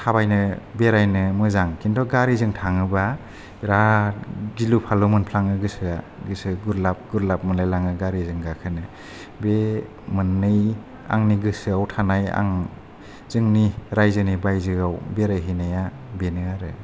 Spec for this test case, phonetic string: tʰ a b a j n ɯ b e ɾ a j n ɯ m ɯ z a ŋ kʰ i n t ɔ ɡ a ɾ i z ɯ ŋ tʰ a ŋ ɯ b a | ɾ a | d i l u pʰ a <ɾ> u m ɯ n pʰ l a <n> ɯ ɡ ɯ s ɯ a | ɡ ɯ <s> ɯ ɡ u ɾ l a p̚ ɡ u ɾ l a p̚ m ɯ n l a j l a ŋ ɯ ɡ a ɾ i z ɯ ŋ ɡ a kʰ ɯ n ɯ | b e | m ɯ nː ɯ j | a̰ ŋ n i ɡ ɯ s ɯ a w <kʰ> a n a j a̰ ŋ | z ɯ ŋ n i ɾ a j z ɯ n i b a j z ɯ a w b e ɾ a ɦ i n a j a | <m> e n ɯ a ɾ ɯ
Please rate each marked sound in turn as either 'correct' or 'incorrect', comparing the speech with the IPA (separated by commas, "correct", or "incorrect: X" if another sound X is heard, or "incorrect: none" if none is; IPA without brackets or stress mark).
incorrect: l, incorrect: ŋ, correct, incorrect: tʰ, incorrect: b